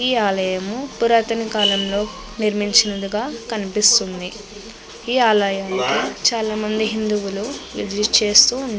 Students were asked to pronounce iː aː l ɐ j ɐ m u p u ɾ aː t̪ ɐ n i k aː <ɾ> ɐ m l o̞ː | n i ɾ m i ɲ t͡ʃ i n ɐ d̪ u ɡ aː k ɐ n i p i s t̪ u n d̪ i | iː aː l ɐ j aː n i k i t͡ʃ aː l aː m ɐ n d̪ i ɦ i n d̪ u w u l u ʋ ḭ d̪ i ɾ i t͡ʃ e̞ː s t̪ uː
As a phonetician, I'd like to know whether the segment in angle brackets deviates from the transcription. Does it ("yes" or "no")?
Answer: yes